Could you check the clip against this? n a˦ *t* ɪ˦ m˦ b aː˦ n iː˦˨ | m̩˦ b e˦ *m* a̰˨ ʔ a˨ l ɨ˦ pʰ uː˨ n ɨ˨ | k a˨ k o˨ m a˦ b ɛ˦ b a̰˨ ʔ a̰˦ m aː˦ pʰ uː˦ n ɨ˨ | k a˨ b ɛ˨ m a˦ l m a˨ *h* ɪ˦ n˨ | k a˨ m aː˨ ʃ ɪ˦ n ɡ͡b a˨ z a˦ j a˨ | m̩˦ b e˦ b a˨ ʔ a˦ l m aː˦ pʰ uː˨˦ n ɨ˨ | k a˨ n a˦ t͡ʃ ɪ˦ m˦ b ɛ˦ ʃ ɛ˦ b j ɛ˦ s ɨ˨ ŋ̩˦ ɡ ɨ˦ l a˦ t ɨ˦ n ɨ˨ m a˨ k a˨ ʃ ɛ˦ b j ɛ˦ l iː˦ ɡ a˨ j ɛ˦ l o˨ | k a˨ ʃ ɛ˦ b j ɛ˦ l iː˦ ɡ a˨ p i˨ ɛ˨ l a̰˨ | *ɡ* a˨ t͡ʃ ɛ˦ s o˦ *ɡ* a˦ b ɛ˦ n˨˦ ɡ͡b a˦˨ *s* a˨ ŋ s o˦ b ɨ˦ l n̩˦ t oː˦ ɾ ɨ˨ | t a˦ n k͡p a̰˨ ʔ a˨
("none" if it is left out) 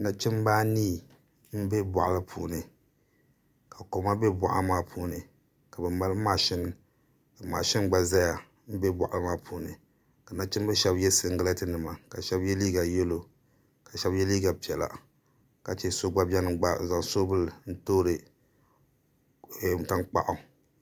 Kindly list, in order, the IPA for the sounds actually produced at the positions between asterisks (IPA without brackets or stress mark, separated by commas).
t͡ʃ, b, ʃ, k, ɡ͡b, z